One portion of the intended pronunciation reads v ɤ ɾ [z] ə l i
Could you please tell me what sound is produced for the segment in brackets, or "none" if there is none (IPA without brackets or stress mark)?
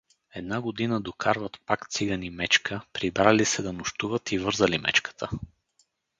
z